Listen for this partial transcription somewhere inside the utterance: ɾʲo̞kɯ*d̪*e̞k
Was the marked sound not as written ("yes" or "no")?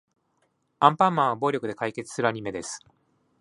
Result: no